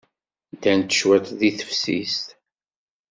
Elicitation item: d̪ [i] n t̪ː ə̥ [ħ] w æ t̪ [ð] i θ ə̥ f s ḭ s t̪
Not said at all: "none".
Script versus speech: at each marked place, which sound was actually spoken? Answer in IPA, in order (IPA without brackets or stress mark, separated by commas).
æ, ʃ, ð